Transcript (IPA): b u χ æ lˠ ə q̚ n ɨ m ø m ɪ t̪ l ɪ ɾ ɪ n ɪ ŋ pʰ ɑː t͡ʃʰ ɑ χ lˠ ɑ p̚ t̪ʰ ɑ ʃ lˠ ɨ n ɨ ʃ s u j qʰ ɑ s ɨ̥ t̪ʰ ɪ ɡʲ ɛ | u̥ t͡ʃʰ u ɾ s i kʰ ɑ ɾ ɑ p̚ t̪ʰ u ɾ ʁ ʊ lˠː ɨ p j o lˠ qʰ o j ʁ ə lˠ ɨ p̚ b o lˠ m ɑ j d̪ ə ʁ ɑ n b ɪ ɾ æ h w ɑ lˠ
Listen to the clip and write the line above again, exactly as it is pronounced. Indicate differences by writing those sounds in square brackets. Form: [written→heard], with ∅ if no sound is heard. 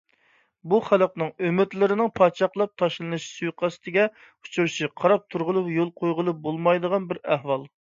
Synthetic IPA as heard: b u χ æ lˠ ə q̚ n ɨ [m→ŋ] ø m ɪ t̪ l ɪ ɾ ɪ n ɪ ŋ pʰ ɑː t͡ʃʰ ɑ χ lˠ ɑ p̚ t̪ʰ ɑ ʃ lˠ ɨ n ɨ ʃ s u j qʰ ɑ s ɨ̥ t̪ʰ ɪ ɡʲ ɛ | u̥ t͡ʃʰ u ɾ [s→ʃ] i [kʰ→qʰ] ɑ ɾ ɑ p̚ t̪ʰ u ɾ ʁ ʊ [lˠː→lˠ] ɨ p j o lˠ qʰ o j ʁ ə lˠ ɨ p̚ b o lˠ m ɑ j d̪ ə ʁ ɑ n b ɪ ɾ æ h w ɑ lˠ